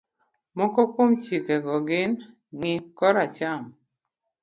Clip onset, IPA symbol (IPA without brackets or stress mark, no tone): m